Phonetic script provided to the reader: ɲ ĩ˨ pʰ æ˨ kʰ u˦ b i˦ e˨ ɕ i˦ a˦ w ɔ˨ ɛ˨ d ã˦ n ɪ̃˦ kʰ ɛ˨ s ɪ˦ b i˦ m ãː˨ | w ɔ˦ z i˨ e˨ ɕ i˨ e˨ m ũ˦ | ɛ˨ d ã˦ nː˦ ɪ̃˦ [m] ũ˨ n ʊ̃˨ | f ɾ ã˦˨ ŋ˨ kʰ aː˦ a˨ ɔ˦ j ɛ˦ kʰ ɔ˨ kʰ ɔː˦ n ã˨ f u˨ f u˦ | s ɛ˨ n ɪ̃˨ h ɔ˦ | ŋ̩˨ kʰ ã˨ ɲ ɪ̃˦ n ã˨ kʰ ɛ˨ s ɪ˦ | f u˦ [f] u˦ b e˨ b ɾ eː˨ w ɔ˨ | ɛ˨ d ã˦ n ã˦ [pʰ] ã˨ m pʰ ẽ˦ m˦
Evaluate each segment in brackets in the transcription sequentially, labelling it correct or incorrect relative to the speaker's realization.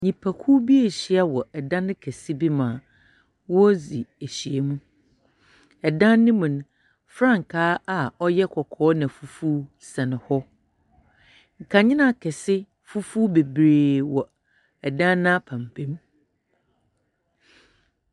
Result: correct, correct, correct

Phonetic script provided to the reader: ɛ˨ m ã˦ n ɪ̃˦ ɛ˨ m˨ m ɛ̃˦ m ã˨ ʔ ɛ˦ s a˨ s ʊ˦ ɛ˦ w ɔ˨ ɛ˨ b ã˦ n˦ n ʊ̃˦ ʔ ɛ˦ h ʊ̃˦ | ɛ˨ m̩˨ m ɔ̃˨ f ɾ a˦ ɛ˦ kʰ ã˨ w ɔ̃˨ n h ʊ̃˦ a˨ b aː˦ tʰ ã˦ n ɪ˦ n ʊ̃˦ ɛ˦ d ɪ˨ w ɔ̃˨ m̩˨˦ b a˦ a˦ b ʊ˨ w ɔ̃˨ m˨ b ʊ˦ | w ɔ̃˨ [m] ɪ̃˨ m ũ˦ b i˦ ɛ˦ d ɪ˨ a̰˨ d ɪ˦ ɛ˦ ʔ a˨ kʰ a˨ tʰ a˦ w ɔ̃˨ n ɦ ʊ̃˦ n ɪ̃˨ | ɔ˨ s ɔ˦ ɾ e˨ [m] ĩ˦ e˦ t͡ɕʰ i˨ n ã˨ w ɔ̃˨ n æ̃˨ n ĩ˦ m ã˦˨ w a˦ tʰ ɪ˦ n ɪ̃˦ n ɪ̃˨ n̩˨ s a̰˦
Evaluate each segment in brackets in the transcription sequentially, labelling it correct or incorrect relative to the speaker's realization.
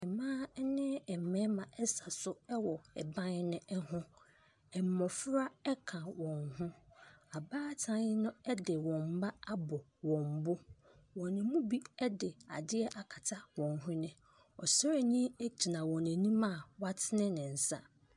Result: incorrect: n, incorrect: ɲ

